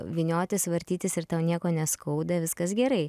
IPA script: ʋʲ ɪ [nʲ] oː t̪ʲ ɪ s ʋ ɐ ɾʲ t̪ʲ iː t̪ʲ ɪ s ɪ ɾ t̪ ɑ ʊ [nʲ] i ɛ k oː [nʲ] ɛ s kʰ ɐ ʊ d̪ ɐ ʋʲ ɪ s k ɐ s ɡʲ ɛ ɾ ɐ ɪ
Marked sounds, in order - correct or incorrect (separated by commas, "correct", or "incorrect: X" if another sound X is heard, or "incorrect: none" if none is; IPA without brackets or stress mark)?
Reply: correct, correct, correct